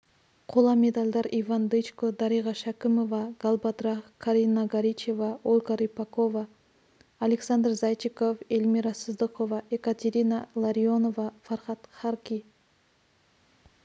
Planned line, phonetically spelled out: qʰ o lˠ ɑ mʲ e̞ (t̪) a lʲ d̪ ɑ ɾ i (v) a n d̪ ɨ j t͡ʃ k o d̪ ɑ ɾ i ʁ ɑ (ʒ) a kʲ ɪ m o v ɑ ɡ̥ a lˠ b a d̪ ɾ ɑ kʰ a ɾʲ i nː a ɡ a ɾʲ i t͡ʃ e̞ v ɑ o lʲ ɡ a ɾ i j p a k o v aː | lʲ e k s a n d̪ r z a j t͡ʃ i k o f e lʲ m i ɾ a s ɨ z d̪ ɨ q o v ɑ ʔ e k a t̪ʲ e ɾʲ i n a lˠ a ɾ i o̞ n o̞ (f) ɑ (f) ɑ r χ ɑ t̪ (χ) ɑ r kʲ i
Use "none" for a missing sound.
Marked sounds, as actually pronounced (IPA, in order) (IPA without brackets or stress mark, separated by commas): d̪, v, ʃ, v, f, χ